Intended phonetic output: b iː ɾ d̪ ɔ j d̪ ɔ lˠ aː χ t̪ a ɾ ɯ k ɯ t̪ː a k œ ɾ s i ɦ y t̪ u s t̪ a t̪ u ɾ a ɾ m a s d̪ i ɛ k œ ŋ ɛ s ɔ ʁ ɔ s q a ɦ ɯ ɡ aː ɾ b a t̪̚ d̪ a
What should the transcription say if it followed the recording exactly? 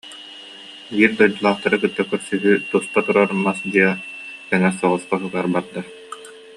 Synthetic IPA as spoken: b iː ɾ d̪ ɔ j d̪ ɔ lˠ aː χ t̪ a ɾ ɯ k ɯ t̪ː a k œ ɾ s y ɦ y t̪ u s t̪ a t̪ u ɾ a ɾ m a s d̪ i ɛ k ɛ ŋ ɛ s ɔ ʁ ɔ s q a ɦ ɯ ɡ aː ɾ b a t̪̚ d̪ a